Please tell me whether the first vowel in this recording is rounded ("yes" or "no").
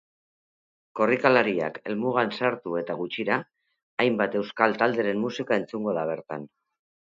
yes